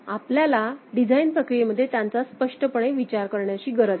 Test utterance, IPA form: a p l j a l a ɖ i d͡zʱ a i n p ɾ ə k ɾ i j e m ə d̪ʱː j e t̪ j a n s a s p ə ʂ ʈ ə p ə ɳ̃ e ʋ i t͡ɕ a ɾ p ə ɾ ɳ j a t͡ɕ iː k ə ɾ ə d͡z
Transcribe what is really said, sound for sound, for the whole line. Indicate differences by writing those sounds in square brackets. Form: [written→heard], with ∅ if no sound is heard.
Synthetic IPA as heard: a p l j a l a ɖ i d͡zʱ a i n p ɾ ə k ɾ i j e m ə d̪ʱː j e t̪ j a n [s→t͡s] a s p ə ʂ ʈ ə p ə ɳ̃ e ʋ i t͡ɕ a ɾ [p→k] ə ɾ ɳ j a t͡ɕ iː [k→ɡ] ə ɾ ə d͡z

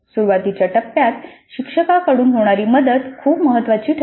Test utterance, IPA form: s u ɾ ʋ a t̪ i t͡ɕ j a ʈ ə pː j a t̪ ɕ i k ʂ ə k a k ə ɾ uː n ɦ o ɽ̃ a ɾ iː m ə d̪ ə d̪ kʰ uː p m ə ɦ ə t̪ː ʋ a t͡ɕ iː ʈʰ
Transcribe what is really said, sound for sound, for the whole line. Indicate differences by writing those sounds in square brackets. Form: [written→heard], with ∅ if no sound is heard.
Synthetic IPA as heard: s u ɾ ʋ a t̪ i t͡ɕ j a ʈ ə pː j a t̪ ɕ i k ʂ ə k a k ə [ɾ→ɽ] uː n ɦ o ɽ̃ a ɾ iː m ə d̪ ə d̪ kʰ uː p m ə ɦ ə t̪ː ʋ a t͡ɕ iː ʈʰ

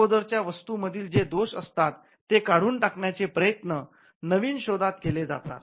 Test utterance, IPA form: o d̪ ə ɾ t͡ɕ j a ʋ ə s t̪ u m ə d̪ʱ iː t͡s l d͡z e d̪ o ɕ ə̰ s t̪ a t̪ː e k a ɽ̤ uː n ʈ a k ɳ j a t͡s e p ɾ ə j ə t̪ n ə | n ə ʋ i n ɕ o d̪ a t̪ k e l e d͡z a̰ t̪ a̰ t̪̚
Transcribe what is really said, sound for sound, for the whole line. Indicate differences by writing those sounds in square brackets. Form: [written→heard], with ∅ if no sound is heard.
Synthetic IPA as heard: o d̪ ə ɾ t͡ɕ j a ʋ ə s t̪ u m ə d̪ʱ iː [t͡s→∅] l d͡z e d̪ o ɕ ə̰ s t̪ a t̪ː e k a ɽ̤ uː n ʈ a k ɳ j a t͡s e p ɾ ə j ə t̪ n ə | n ə ʋ [i→iː] n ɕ o d̪ a t̪ k e l e d͡z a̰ t̪ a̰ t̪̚

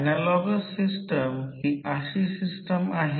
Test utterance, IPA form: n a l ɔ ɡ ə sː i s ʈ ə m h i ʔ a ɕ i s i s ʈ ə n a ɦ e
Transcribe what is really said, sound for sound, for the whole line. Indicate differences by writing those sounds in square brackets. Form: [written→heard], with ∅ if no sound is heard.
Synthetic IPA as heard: n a l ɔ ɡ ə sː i s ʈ ə m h i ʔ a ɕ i s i s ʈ ə [n→m] a ɦ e

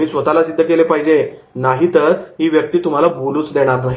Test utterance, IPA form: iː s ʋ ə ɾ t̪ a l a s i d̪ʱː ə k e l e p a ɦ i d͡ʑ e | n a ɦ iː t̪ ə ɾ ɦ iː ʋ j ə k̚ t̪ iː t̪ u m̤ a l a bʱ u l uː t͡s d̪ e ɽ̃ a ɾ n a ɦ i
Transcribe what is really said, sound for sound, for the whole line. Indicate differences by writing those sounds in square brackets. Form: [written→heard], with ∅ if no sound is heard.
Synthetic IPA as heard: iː s ʋ ə [ɾ→∅] t̪ a l a s i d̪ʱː ə k e l e p a ɦ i d͡ʑ e | n a ɦ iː t̪ ə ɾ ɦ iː ʋ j ə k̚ t̪ iː t̪ u m̤ a l a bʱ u l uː t͡s d̪ e ɽ̃ a ɾ n a ɦ i

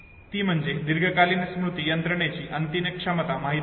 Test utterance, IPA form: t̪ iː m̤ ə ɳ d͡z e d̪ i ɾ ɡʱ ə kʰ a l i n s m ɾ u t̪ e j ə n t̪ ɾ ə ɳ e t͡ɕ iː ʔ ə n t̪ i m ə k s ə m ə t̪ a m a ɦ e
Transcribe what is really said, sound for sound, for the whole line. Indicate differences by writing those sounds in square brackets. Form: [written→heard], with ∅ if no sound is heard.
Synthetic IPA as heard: t̪ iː m̤ ə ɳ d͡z e d̪ i ɾ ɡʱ ə [kʰ→k] a l i n s m ɾ u t̪ [e→i] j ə n t̪ ɾ ə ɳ e t͡ɕ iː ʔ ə n t̪ i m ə k [s→ʂ] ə m ə t̪ a m a ɦ [e→i]

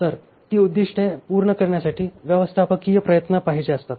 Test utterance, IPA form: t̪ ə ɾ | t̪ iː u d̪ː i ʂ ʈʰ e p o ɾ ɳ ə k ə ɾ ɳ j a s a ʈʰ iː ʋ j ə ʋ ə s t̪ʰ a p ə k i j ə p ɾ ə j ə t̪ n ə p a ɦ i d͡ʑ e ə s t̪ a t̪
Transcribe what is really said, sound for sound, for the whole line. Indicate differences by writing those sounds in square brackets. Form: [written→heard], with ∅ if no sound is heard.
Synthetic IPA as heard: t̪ ə ɾ | t̪ iː u d̪ː i ʂ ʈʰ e p [o→u] ɾ ɳ ə k ə ɾ ɳ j a s a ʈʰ iː ʋ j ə ʋ ə s t̪ʰ a p ə k i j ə p ɾ ə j ə t̪ n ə p a ɦ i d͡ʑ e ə s t̪ a t̪

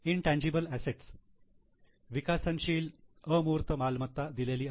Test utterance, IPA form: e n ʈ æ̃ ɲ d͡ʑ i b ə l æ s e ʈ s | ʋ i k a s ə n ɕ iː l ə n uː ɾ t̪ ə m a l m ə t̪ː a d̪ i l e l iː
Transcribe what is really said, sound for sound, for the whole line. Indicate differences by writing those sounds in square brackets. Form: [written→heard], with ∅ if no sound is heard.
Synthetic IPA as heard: [e→i] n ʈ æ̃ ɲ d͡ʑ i b ə l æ s e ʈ s | ʋ i k a s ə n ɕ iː l ə [n→m] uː ɾ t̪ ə m a l m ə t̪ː a d̪ i l e l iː

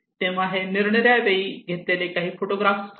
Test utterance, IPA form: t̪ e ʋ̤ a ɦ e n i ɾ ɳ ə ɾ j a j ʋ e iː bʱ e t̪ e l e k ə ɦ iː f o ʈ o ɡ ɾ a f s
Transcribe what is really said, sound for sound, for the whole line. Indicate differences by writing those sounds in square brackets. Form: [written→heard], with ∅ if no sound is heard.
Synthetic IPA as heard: t̪ e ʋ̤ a ɦ e n i ɾ ɳ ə ɾ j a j ʋ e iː [bʱ→ɡʱ] e t̪ e l e k [ə→a] ɦ iː f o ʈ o ɡ ɾ a f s

